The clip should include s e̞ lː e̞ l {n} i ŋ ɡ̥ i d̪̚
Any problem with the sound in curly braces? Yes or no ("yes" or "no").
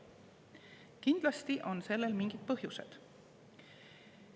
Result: yes